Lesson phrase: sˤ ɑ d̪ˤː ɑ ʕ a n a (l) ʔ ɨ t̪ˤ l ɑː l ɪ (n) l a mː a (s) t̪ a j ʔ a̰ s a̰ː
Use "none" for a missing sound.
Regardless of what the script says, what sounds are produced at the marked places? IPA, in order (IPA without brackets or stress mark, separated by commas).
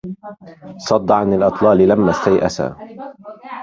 l, none, s